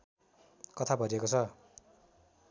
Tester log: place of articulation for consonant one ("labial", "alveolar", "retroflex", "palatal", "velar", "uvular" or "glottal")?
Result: velar